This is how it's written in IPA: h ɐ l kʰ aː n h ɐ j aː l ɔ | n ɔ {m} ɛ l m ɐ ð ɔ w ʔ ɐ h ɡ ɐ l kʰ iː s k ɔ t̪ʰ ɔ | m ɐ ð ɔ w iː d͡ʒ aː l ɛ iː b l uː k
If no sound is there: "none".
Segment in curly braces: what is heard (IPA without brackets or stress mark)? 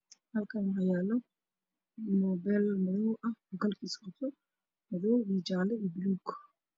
b